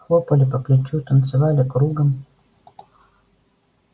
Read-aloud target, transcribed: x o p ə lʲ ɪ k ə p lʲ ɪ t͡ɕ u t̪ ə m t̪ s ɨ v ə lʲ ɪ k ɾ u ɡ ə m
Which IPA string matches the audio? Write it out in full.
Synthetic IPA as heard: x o p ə lʲ ɪ p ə p lʲ ɪ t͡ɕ u t̪ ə n t̪ s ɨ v a lʲ ɪ k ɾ u ɡ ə m